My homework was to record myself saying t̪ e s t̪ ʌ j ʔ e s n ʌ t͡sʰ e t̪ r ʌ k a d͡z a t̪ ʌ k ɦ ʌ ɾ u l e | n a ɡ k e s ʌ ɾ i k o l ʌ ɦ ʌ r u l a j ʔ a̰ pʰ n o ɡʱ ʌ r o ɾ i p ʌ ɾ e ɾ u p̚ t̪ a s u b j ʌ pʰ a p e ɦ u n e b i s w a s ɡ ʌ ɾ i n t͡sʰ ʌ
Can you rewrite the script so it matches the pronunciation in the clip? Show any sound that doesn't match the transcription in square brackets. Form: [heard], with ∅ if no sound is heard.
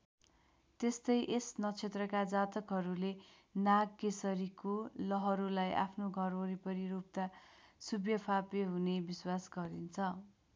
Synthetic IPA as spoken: t̪ e s t̪ ʌ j ʔ e s n ʌ t͡sʰ e t̪ r ʌ k a d͡z a t̪ ʌ k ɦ ʌ ɾ u l e | n a ɡ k e s ʌ ɾ i k o l ʌ ɦ ʌ [ɾ] u l a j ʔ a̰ pʰ n o ɡʱ ʌ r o ɾ i p ʌ ɾ [i] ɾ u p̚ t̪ a s u b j ʌ pʰ a p e ɦ u n e b i s w a s ɡ ʌ ɾ i n t͡sʰ ʌ